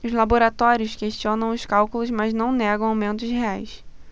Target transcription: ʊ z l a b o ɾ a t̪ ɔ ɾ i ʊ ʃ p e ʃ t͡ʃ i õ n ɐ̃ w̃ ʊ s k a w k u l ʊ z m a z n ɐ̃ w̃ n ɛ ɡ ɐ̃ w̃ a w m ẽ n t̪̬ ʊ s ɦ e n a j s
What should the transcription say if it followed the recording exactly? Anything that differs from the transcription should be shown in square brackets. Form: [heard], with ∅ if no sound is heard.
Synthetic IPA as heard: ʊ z l a b o ɾ a t̪ ɔ ɾ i ʊ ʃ [k] e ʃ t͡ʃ i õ n ɐ̃ w̃ ʊ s k a w k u l ʊ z m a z n ɐ̃ w̃ n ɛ ɡ ɐ̃ w̃ a w m ẽ n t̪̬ ʊ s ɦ e [∅] a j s